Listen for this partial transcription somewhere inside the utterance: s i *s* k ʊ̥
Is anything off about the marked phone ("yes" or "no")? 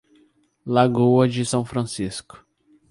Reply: no